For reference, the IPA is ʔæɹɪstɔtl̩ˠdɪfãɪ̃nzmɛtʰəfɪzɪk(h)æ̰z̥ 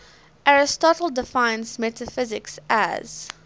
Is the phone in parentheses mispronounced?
yes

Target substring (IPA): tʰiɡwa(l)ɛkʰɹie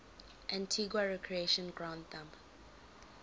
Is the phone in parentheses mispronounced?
yes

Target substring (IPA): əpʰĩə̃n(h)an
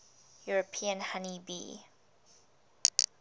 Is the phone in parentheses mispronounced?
no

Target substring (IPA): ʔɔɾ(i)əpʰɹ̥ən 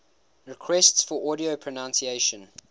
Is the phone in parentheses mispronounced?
no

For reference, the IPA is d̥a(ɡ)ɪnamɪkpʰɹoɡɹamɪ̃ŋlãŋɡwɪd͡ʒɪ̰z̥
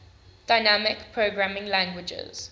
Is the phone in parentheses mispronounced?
yes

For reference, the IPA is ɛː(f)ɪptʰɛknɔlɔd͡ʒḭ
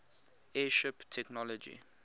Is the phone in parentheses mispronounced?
yes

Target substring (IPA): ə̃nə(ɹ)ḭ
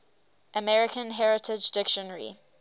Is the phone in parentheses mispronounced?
no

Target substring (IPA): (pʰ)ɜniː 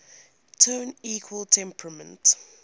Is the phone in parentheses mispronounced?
yes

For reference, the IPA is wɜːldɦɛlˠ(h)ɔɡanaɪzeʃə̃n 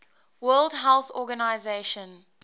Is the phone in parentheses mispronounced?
yes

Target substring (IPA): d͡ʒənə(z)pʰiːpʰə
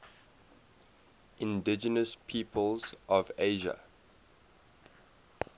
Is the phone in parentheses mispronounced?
yes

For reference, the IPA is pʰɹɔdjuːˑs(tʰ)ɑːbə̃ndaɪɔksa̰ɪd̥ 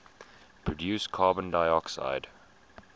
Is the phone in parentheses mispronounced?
yes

